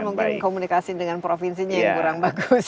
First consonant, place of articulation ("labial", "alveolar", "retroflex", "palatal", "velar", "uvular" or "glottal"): labial